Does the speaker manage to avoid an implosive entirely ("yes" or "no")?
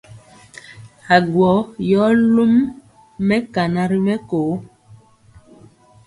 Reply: yes